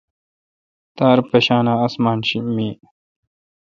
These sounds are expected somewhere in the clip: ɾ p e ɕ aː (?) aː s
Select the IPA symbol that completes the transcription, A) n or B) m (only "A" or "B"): A